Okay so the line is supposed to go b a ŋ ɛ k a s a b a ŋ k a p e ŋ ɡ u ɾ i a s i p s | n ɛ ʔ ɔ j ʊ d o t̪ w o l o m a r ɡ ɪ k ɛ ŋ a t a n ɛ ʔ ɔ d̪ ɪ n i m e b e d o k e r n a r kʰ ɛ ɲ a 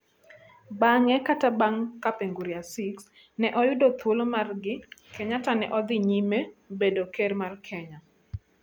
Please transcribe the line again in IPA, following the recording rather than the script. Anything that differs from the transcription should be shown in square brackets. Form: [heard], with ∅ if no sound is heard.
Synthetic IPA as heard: b a ŋ ɛ k a [t] a b a ŋ k a p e ŋ ɡ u ɾ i a s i [k] s | n ɛ ʔ ɔ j ʊ d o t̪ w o l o m a r ɡ ɪ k ɛ [ɲ] a t a n ɛ ʔ ɔ d̪ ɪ [ɲ] i m e b e d o k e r [m] a r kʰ ɛ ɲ a